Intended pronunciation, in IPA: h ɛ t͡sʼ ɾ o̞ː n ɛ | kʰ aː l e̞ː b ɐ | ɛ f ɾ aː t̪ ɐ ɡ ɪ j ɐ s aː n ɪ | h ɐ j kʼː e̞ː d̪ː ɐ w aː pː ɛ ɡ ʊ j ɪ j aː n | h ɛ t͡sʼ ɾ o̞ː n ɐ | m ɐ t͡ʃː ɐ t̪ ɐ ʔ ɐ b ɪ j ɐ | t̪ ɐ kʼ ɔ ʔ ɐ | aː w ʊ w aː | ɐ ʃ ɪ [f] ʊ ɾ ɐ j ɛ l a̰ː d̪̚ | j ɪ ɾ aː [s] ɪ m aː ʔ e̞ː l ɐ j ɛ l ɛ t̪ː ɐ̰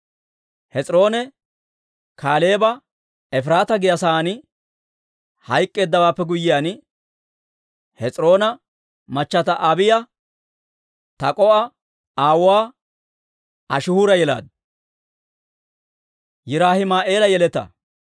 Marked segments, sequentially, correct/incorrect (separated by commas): incorrect, incorrect